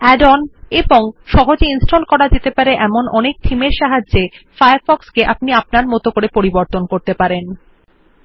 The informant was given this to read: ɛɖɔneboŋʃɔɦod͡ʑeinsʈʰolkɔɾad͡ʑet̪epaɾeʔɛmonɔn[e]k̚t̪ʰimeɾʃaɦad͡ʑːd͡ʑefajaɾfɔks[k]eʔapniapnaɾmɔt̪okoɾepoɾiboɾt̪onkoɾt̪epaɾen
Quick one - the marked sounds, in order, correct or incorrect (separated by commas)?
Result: correct, correct